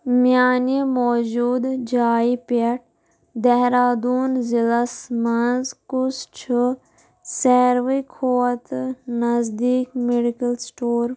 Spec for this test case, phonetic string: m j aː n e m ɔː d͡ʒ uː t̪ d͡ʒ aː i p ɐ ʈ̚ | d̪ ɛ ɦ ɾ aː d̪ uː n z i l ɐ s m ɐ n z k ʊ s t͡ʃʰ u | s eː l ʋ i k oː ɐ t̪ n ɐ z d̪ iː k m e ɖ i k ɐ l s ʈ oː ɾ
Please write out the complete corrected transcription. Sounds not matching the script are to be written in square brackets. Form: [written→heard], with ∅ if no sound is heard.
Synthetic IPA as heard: m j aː n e m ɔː d͡ʒ uː [t̪→d̪] d͡ʒ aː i p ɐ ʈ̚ | d̪ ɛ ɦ ɾ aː d̪ uː n z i l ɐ s m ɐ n z k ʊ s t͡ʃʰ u | s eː [l→ɾ] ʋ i [k→kʰ] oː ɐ t̪ n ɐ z d̪ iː k m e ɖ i k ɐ l s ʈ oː ɾ